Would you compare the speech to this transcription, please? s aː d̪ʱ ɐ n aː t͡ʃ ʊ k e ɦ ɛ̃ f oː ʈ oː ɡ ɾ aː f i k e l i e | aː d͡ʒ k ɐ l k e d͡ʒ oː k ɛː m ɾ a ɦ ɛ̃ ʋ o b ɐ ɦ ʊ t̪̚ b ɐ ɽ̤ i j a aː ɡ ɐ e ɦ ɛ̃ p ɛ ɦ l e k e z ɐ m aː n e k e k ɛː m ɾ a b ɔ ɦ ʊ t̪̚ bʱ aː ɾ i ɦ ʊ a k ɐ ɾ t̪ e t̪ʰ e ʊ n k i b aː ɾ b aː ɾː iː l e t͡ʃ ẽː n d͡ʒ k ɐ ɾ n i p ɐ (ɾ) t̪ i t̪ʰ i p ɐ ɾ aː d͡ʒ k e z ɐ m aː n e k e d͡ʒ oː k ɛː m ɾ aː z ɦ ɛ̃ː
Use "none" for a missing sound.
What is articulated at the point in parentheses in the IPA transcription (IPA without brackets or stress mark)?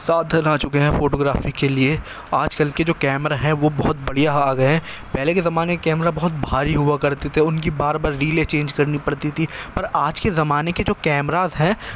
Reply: ɽ